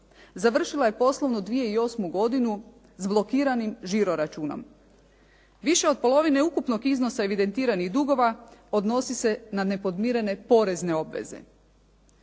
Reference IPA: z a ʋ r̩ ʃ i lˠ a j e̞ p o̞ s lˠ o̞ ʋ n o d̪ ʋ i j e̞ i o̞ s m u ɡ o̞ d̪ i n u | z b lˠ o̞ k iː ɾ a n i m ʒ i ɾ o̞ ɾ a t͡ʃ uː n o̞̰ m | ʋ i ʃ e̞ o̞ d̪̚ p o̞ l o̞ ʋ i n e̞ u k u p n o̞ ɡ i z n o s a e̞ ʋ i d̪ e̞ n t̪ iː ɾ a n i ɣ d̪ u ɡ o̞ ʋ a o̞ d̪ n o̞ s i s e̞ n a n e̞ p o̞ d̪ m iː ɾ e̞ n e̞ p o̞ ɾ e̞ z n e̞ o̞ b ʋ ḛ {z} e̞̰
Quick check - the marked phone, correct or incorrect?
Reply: correct